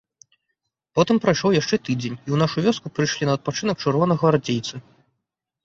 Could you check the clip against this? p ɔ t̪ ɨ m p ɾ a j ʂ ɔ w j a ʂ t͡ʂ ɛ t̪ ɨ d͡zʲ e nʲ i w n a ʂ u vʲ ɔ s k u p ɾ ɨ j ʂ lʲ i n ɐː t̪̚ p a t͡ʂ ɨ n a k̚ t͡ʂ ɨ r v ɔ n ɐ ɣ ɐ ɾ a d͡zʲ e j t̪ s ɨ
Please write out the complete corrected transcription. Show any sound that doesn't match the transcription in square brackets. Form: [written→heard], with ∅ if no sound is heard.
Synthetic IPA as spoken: p ɔ t̪ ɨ m p ɾ a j ʂ ɔ w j a ʂ t͡ʂ ɛ t̪ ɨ d͡zʲ e nʲ i w n a ʂ u vʲ ɔ s k u p ɾ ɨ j ʂ lʲ i n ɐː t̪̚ p a t͡ʂ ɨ n [a→ɐ] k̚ t͡ʂ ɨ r v ɔ n ɐ ɣ ɐ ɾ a d͡zʲ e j t̪ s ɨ